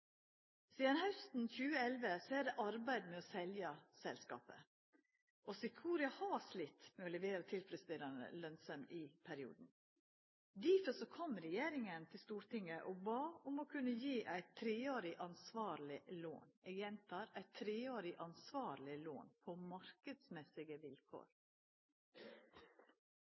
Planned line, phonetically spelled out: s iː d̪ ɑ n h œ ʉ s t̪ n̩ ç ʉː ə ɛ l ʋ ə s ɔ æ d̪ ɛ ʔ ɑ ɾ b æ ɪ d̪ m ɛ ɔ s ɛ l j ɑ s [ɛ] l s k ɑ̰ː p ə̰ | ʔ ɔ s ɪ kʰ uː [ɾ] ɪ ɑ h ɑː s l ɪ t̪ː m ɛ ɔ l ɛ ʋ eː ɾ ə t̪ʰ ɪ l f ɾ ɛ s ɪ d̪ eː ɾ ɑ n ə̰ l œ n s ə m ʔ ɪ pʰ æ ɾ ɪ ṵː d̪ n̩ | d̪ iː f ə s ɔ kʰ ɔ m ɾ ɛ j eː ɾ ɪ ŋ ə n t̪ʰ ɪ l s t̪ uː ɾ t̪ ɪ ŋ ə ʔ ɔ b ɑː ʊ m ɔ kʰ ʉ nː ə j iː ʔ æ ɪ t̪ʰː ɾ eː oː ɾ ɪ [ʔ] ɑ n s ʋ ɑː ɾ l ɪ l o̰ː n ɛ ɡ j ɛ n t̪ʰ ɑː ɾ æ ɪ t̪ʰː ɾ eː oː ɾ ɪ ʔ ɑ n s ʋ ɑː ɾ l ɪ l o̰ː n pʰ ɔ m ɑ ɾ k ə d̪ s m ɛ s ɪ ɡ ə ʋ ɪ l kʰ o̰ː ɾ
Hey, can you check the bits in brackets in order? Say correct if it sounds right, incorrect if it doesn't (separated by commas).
correct, correct, correct